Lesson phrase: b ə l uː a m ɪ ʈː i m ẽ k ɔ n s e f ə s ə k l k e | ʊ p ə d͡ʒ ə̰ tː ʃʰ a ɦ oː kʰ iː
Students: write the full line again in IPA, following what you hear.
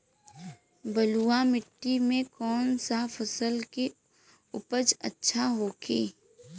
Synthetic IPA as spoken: b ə l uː a m ɪ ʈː i m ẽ k ɔː n s a f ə s ə l k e | ʊ p ə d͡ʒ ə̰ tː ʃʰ a ɦ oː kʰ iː